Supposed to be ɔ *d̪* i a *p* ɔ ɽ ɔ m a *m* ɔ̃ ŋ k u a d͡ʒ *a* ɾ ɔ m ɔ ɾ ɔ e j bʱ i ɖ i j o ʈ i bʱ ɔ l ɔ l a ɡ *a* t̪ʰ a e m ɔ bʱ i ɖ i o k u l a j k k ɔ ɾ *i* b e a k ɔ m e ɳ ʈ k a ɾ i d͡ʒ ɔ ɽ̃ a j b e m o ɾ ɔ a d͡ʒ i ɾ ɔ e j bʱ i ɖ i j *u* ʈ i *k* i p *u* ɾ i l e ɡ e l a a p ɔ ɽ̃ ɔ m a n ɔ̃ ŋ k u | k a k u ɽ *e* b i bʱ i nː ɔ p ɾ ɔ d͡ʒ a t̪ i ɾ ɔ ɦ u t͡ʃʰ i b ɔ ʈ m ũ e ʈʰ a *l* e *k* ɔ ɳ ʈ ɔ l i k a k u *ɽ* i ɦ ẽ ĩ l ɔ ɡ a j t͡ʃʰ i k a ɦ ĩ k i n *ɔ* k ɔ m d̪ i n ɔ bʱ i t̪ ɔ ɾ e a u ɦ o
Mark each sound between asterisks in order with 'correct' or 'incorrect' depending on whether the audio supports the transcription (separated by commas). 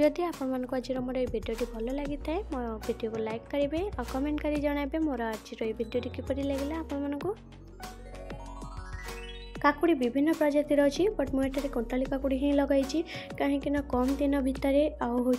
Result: correct, correct, incorrect, incorrect, incorrect, correct, incorrect, correct, incorrect, incorrect, incorrect, correct, correct, correct